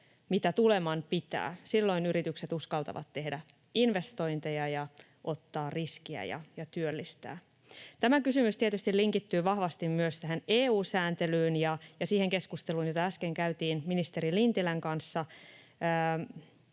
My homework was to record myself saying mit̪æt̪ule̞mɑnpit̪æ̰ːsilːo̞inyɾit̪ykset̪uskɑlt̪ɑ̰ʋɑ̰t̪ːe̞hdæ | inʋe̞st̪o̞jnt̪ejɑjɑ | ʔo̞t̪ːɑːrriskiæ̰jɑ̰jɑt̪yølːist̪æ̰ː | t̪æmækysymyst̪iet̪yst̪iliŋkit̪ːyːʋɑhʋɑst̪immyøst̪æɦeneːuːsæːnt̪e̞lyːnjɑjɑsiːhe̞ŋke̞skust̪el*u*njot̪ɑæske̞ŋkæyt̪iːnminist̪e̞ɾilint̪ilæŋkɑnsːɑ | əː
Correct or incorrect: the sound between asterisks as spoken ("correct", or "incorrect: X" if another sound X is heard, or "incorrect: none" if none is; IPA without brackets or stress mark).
incorrect: uː